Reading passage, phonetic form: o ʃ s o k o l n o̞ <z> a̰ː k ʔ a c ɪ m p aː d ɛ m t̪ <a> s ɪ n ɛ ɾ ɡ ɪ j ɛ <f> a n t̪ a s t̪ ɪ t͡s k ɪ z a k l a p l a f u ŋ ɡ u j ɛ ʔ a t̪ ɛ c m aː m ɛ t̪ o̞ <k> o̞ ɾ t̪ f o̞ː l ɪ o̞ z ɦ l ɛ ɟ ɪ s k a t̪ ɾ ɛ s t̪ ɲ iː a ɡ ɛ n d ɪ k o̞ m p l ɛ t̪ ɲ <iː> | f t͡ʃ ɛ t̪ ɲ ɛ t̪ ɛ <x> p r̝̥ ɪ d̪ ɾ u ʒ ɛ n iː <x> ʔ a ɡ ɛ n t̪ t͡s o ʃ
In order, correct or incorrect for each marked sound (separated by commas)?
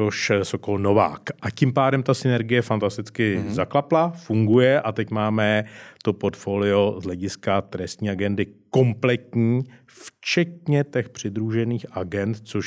incorrect, correct, correct, incorrect, correct, correct, correct